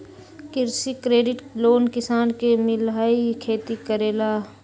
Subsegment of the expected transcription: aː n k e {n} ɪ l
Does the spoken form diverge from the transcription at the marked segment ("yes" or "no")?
yes